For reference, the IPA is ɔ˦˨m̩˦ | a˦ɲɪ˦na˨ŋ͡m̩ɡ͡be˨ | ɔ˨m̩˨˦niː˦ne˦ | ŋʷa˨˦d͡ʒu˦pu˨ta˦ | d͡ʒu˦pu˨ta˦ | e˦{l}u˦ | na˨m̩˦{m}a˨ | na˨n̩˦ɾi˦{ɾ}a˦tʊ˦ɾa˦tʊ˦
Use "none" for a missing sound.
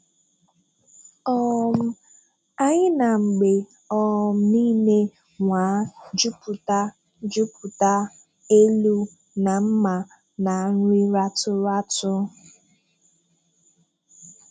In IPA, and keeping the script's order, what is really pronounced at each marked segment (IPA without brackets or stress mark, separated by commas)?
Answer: l, m, ɾ